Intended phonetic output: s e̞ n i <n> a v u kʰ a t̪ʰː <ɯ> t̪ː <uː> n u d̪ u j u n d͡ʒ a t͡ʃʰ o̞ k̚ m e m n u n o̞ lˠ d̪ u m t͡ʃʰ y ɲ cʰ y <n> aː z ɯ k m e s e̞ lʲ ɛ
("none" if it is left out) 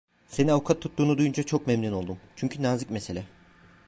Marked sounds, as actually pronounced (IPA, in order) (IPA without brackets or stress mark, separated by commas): n, u, uː, n